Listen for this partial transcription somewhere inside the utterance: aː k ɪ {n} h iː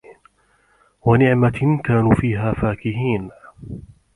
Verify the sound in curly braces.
incorrect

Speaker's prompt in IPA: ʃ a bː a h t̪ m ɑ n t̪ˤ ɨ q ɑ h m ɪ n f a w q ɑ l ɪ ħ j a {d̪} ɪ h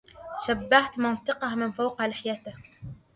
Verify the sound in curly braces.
incorrect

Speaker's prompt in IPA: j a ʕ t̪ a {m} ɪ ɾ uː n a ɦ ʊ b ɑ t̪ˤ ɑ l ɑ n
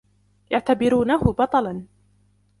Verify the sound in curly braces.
incorrect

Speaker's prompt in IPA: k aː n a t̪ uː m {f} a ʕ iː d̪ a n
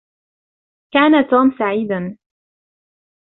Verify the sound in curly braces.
incorrect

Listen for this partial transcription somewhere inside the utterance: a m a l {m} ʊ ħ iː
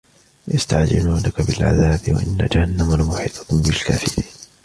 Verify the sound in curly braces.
correct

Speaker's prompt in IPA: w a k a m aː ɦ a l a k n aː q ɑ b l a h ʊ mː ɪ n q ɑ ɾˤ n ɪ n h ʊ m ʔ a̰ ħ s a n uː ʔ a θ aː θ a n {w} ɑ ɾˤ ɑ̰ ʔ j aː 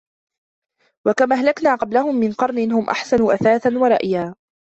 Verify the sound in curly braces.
correct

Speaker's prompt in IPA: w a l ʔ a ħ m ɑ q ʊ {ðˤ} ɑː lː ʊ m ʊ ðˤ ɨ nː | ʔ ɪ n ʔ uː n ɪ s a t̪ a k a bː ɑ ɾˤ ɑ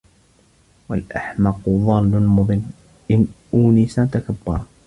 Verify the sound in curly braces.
correct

